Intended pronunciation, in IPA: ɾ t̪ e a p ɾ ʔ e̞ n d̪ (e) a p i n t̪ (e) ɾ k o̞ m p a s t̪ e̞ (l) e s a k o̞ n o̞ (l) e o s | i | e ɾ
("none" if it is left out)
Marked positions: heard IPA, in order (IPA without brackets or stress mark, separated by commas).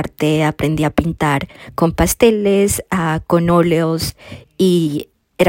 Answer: i, a, l, l